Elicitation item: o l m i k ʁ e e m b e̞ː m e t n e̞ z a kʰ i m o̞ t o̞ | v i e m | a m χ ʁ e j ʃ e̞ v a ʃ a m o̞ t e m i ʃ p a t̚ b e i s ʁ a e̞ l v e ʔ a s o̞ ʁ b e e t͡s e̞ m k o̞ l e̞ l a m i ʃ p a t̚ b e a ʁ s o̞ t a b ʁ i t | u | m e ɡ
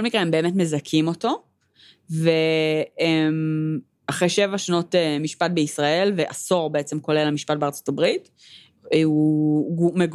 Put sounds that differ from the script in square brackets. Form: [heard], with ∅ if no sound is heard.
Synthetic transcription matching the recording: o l m i k ʁ e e m b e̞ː m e t [m] e̞ z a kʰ i m o̞ t o̞ | v [e] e m | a [∅] χ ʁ e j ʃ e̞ v a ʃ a [n] o̞ t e m i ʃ p a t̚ b e i s ʁ a e̞ l v e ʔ a s o̞ ʁ b e e t͡s e̞ m k o̞ l e̞ l a m i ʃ p a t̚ b e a ʁ [t͡s] o̞ t a b ʁ i t | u | m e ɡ